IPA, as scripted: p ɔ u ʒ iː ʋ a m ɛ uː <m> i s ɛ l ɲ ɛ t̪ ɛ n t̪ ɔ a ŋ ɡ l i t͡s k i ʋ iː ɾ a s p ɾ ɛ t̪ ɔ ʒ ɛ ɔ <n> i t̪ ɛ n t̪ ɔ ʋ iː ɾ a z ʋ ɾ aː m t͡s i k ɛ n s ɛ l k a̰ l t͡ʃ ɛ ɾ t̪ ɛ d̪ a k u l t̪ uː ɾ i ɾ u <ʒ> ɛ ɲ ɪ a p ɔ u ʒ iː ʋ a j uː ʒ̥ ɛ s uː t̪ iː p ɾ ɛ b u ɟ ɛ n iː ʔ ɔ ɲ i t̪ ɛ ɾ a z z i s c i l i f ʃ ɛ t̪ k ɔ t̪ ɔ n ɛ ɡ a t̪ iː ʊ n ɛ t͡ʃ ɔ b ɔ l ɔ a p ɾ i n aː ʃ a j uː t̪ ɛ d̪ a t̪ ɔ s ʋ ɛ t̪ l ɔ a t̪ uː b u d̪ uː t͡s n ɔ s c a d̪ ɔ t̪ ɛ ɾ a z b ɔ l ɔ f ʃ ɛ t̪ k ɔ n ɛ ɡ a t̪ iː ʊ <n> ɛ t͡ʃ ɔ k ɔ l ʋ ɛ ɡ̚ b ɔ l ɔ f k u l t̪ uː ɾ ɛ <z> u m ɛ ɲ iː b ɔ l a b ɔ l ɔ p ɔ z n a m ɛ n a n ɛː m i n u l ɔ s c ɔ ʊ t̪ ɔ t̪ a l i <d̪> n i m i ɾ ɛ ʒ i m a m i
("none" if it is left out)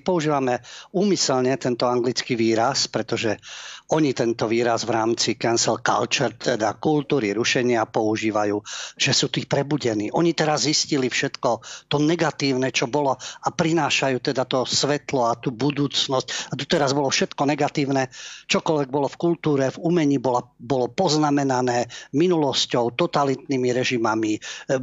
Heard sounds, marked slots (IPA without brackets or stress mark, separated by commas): m, ɲ, ʃ, n, v, t̪